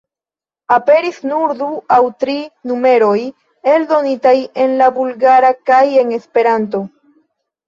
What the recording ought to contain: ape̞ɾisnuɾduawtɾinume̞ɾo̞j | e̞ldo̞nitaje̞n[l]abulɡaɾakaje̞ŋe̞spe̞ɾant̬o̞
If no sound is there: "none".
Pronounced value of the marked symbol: l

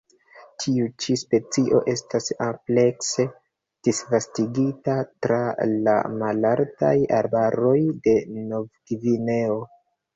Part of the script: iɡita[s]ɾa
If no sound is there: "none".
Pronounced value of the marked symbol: t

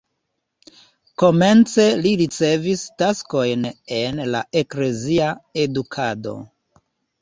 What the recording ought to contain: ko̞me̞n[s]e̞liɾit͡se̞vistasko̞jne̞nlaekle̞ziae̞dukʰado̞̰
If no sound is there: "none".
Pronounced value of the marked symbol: t͡s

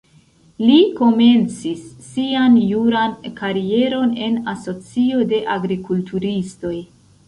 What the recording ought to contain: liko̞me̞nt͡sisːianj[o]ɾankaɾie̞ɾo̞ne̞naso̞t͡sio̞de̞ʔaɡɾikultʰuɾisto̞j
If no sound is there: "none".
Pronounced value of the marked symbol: u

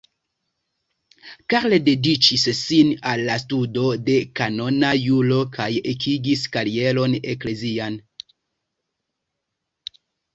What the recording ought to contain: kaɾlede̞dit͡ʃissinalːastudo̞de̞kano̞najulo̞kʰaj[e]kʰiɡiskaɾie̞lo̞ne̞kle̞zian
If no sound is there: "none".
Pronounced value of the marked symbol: e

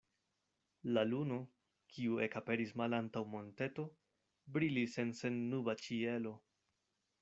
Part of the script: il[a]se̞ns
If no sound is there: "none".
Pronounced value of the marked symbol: i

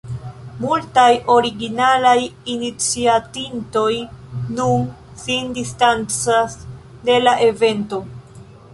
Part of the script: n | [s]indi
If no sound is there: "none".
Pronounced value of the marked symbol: s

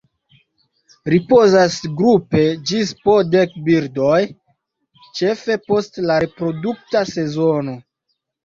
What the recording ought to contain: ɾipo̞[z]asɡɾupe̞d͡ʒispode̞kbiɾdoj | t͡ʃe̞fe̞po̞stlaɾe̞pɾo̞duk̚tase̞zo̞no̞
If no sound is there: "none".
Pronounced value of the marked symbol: z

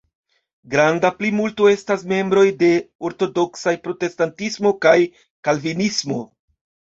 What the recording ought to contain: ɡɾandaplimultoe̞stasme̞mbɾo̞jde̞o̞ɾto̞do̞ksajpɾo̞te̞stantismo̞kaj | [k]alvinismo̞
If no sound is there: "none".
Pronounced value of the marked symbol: k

